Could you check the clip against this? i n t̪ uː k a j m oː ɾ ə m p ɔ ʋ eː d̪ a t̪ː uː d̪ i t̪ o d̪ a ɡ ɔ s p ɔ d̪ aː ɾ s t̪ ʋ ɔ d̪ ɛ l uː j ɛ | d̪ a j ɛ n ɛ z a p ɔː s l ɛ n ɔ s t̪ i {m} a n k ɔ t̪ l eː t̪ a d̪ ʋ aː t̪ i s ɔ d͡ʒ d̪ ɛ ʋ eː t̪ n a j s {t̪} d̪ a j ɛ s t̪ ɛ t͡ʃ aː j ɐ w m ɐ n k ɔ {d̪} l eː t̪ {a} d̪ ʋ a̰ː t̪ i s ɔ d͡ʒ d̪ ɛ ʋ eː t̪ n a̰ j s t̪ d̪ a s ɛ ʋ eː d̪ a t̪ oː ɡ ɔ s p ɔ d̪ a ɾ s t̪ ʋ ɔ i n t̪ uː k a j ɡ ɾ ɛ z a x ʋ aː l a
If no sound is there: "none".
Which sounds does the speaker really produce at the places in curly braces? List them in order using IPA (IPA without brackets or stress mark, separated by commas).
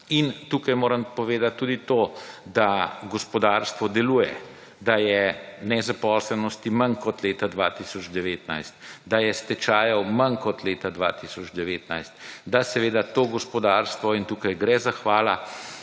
m, t̪, t̪, a